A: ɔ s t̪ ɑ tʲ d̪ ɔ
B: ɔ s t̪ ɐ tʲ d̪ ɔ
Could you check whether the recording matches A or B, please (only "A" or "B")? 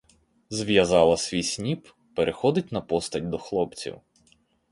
B